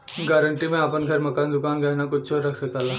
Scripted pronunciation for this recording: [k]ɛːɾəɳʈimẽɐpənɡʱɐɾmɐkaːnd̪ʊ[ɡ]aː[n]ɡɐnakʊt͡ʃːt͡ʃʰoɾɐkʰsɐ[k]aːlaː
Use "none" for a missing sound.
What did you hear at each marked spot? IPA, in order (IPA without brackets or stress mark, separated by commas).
ɡ, k, n, k